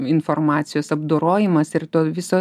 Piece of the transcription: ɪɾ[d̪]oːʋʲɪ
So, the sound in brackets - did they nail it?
no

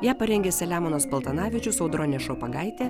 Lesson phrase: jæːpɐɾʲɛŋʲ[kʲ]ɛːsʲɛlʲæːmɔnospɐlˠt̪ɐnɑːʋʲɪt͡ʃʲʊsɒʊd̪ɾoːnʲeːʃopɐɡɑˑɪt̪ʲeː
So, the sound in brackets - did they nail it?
no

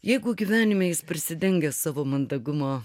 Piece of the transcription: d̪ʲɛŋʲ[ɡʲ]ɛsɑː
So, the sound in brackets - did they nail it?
yes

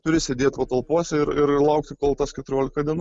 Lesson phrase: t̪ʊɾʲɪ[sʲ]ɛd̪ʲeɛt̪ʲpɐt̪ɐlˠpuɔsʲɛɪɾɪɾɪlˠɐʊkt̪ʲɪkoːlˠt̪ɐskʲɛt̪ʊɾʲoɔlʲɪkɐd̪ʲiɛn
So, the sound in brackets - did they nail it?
yes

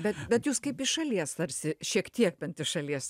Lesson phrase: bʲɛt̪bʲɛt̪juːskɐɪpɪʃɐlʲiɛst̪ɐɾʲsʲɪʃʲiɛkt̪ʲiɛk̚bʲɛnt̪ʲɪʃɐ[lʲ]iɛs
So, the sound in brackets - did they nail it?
yes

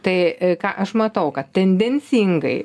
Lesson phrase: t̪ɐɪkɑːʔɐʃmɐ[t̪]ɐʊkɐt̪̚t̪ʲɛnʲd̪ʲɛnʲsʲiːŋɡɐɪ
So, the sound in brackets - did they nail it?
yes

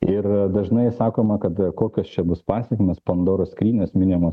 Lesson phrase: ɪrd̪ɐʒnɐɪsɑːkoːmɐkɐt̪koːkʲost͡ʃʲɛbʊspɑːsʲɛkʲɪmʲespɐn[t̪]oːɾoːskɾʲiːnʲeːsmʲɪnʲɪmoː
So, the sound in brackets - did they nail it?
no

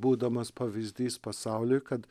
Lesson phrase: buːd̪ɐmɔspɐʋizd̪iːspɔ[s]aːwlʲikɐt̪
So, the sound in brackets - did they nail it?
yes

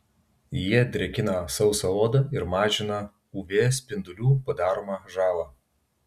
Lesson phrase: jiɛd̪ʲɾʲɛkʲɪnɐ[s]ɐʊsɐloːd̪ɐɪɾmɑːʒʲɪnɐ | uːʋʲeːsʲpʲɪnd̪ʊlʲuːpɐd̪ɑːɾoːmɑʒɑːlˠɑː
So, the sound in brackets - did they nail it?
yes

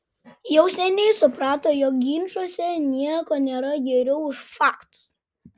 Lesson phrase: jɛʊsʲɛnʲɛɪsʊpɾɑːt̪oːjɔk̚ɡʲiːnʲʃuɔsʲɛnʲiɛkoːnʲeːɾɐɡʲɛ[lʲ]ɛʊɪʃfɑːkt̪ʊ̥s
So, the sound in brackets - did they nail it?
no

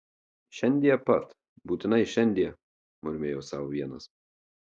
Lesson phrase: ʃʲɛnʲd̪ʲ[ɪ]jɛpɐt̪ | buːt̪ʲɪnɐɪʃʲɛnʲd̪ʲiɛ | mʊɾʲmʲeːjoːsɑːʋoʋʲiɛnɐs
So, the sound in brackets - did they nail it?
no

